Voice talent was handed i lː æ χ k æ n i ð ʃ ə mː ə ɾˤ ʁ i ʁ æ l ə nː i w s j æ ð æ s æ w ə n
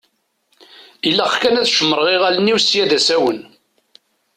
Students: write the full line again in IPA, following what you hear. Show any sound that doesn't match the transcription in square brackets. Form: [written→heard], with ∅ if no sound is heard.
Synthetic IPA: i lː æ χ k æ n [i→æ] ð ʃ ə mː ə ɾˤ ʁ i ʁ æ l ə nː i w s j æ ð æ s æ w ə n